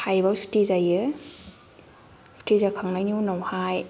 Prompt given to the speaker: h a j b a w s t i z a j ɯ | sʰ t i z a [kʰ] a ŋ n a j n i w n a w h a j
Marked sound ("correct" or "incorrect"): correct